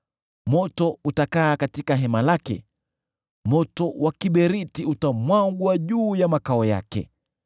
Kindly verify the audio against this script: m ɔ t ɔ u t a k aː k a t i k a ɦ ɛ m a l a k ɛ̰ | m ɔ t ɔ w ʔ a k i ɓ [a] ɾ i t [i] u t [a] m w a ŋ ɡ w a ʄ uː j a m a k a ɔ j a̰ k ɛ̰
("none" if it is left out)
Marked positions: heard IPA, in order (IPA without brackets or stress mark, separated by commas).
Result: ɛ, i, a